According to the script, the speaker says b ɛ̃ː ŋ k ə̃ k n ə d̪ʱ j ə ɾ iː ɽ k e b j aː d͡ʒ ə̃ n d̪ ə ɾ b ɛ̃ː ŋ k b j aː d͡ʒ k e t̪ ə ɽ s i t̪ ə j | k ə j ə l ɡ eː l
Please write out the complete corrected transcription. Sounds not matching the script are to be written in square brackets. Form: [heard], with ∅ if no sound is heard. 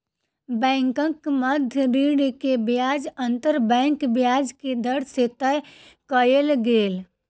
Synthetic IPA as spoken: b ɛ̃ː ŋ k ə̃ k [m] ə d̪ʱ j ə ɾ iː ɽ k e b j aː d͡ʒ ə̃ n [t̪] ə ɾ b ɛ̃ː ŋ k b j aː d͡ʒ k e [d̪] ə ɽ s [e] t̪ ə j | k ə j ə l ɡ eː l

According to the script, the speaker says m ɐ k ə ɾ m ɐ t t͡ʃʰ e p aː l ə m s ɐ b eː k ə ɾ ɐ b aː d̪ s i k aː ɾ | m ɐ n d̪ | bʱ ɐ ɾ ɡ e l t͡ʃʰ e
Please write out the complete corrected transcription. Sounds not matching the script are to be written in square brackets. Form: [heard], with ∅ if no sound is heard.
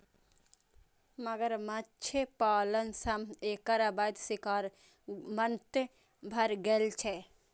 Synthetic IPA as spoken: m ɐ [ɡ] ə ɾ m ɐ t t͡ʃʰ e p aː l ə [n] s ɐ [m] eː k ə ɾ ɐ b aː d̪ s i k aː ɾ | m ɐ n [t̪] | bʱ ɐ ɾ ɡ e l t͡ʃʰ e

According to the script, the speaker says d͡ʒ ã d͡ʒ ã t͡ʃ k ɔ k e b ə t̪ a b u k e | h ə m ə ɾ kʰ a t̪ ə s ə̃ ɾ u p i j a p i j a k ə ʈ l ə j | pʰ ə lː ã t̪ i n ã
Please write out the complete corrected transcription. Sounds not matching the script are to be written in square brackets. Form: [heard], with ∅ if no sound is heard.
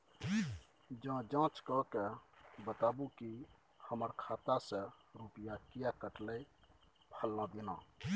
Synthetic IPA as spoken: d͡ʒ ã d͡ʒ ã t͡ʃ k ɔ k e b ə t̪ a b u k [i] | h ə m ə ɾ kʰ a t̪ [a] s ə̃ ɾ u p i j a [k] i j a k ə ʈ l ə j | pʰ ə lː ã [d̪] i n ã

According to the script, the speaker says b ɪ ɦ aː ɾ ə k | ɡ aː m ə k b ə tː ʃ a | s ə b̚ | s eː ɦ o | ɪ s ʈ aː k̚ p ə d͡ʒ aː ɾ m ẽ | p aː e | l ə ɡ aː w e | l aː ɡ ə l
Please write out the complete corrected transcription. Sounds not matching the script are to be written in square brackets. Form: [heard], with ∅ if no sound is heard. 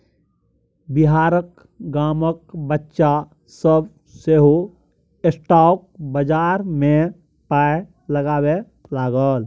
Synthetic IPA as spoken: b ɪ ɦ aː ɾ ə k | ɡ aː m ə k b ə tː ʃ a | s ə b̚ | s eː ɦ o | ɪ s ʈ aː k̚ [b] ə d͡ʒ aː ɾ m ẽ | p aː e | l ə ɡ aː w e | l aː ɡ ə l

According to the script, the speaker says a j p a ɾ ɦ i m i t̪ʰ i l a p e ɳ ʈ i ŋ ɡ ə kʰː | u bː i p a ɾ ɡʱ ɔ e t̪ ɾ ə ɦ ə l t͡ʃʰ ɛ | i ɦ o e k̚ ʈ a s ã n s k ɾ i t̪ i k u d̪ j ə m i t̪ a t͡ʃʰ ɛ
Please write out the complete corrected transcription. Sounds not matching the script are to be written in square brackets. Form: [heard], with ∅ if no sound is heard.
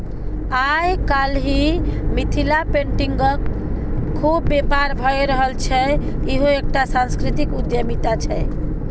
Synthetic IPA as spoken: a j [k] a [l] ɦ i m i t̪ʰ i l a p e ɳ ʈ i ŋ ɡ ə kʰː | u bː [e] p a ɾ [bʱ] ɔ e [∅] ɾ ə ɦ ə l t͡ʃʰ ɛ | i ɦ o e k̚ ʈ a s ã n s k ɾ i t̪ i k u d̪ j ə m i t̪ a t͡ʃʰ ɛ

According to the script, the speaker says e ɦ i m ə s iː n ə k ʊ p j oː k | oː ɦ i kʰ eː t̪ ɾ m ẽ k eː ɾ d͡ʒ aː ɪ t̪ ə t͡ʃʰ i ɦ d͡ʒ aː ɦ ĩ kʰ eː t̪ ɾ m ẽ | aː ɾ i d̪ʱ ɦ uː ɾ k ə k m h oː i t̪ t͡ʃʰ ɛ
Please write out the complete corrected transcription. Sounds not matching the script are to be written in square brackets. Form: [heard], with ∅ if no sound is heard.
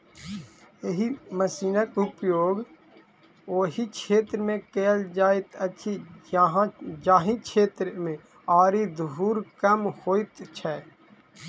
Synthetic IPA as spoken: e ɦ i m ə s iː n ə k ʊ p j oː [ɡ] | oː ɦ i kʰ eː t̪ ɾ m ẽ k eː [l] d͡ʒ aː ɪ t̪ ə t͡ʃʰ i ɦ d͡ʒ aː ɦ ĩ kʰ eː t̪ ɾ m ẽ | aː ɾ i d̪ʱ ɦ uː ɾ k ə [∅] m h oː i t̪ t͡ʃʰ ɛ

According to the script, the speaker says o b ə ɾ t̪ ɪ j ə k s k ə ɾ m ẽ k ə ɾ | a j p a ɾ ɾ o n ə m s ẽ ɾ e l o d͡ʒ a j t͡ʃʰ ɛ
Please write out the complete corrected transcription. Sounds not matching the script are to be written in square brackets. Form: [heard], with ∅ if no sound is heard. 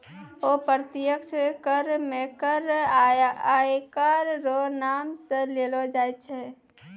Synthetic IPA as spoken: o [p] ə ɾ t̪ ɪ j ə k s k ə ɾ m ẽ k ə ɾ | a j [k] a ɾ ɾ o n [a] m s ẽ [l] e l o d͡ʒ a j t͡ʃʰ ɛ

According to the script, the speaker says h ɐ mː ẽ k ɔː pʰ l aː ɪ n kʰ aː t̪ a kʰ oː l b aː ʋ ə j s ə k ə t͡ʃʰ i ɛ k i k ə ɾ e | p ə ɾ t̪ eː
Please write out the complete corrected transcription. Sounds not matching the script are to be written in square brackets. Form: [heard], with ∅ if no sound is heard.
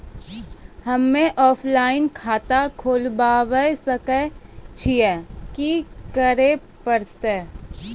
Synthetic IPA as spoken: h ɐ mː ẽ [ʔ] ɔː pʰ l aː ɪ n kʰ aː t̪ a kʰ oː l b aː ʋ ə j s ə k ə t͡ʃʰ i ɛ k i k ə ɾ e | p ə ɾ t̪ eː

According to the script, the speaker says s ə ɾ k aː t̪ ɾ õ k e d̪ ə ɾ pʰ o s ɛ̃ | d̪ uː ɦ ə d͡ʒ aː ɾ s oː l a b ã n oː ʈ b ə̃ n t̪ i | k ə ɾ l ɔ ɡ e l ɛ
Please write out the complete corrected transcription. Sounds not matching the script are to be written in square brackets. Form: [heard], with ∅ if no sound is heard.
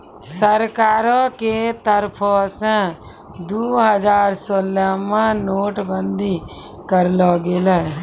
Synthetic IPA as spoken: s ə ɾ k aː [∅] ɾ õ k e [t̪] ə ɾ pʰ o s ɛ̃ | d̪ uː ɦ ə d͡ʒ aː ɾ s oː l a [m] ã n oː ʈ b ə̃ n [d̪] i | k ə ɾ l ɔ ɡ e l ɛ

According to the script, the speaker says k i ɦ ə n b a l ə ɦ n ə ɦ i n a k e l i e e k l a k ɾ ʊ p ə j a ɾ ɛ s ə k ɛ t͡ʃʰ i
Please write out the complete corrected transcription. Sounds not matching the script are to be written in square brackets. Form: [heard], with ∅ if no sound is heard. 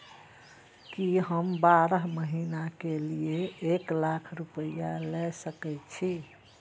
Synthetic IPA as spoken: k i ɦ ə [m] b a [ɾ] ə ɦ [m] ə ɦ i n a k e l i e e k l a [kʰ] ɾ [u] p ə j a [l] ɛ s ə k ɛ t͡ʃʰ i

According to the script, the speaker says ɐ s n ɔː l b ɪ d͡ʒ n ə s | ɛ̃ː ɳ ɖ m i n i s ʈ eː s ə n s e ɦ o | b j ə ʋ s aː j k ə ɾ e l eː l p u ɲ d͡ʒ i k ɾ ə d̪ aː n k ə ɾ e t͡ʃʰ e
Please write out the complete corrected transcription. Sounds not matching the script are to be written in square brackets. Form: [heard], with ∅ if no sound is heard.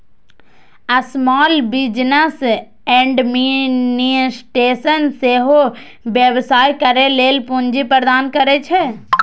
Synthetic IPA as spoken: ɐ s [m] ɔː l b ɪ d͡ʒ n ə s | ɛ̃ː ɳ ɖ m i n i s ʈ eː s ə n s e ɦ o | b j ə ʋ s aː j k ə ɾ e l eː l p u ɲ d͡ʒ i [p] ɾ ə d̪ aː n k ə ɾ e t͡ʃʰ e

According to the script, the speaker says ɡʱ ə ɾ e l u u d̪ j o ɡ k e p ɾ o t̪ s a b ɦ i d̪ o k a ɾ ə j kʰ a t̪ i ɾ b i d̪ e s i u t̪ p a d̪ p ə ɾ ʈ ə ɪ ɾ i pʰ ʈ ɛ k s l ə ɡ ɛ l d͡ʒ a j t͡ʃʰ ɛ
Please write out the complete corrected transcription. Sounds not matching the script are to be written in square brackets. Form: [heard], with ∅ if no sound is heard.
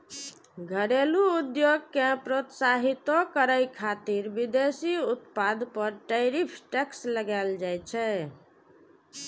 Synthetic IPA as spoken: ɡʱ ə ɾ e l u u d̪ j o ɡ k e p ɾ o t̪ s a [∅] ɦ i [t̪] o k [ə] ɾ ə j kʰ a t̪ i ɾ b i d̪ e s i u t̪ p a d̪ p ə ɾ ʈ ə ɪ ɾ i pʰ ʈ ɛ k s l ə ɡ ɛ l d͡ʒ a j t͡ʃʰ ɛ

